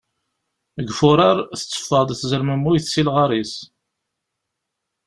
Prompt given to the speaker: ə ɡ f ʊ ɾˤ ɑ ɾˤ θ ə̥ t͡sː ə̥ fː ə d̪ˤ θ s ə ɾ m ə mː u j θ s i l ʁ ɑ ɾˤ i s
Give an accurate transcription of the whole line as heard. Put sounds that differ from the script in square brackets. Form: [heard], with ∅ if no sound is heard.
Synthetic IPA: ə ɡ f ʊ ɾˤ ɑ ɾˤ θ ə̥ t͡sː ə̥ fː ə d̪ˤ θ [z] ə ɾ m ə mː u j θ s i l ʁ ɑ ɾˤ i s